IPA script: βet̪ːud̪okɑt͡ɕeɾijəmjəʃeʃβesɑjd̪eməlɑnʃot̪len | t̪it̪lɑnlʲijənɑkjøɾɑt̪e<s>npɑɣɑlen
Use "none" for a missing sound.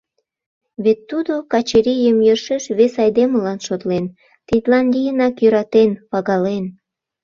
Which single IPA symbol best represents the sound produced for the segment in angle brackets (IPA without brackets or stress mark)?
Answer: none